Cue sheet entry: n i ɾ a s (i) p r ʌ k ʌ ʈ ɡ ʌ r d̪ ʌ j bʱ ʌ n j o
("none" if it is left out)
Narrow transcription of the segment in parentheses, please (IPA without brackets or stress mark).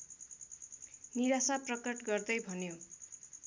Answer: a